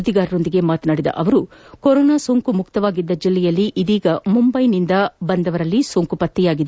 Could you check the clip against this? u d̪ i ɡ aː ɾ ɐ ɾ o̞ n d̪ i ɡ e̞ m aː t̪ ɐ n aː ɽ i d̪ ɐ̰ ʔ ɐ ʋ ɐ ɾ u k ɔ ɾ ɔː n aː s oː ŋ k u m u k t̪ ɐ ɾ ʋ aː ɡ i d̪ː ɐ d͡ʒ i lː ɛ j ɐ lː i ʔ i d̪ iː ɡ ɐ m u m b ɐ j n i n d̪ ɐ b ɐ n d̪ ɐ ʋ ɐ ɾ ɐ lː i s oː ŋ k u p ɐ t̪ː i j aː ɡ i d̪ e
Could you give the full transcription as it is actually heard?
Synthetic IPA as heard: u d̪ i ɡ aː ɾ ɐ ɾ o̞ n d̪ i ɡ e̞ m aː t̪ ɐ n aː ɽ i d̪ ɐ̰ ʔ ɐ ʋ ɐ ɾ u k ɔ ɾ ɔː n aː s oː ŋ k u m u k t̪ ɐ ʋ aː ɡ i d̪ː ɐ d͡ʒ i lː ɛ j ɐ lː i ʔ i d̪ iː ɡ ɐ m u m b ɐ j n i n d̪ ɐ b ɐ n d̪ ɐ ʋ ɐ ɾ ɐ lː i s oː ŋ k u p ɐ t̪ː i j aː ɡ i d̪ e